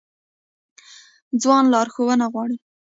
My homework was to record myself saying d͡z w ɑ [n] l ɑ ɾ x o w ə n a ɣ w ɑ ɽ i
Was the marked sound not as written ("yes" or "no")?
no